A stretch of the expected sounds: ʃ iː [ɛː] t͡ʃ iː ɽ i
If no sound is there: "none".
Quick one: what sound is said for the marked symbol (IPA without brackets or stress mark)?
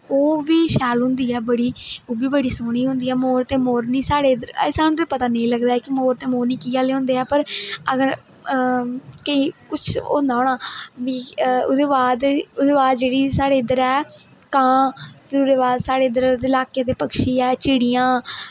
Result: ɛː